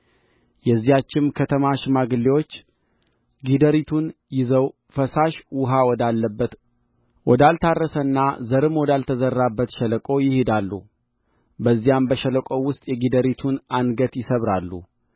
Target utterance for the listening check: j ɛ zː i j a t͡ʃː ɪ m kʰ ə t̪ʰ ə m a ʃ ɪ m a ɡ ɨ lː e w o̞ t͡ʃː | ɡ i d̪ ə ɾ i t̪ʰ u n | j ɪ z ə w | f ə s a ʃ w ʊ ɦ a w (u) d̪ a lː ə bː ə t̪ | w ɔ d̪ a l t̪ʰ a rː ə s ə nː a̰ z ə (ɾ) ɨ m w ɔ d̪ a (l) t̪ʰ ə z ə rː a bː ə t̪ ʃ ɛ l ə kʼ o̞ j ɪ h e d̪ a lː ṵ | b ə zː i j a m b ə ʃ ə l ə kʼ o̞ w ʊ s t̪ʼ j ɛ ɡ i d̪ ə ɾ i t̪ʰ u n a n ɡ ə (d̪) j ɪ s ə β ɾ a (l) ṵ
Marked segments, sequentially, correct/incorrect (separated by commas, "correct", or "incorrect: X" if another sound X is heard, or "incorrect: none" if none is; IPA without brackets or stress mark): incorrect: ɔ, correct, correct, incorrect: t̪, incorrect: lː